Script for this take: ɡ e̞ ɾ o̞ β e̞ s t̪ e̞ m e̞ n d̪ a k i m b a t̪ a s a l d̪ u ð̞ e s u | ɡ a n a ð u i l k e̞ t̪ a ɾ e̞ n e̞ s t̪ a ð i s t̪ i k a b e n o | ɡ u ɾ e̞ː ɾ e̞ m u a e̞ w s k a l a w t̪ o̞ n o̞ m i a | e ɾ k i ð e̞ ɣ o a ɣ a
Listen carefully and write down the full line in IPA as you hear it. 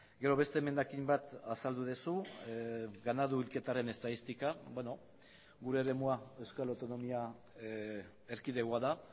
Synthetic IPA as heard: ɡ e̞ ɾ o̞ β e̞ s t̪ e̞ m e̞ n d̪ a k i m b a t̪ a s a l d̪ u ð̞ e s u | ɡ a n a ð u i l k e̞ t̪ a ɾ e̞ n e̞ s t̪ a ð i s t̪ i k a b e n o | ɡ u ɾ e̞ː ɾ e̞ m u a e̞ w s k a l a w t̪ o̞ n o̞ m i a | e ɾ k i ð e̞ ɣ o a ð a